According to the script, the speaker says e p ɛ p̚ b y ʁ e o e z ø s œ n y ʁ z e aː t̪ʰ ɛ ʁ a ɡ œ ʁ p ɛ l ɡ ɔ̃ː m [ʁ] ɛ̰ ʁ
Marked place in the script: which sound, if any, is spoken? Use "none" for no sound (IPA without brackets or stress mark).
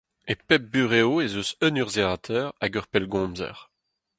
z